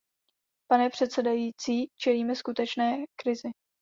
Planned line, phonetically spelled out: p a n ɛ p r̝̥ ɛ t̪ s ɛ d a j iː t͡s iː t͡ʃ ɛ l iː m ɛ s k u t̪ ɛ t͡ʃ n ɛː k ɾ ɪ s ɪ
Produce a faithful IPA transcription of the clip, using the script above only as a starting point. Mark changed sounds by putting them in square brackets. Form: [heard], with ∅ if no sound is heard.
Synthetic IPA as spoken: p a n ɛ p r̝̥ ɛ t̪ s ɛ d a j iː t͡s iː t͡ʃ ɛ l iː m ɛ s k u t̪ ɛ t͡ʃ n ɛː k ɾ ɪ [z] ɪ